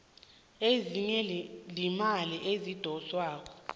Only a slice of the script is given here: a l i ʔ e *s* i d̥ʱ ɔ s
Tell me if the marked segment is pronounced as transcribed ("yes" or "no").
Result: no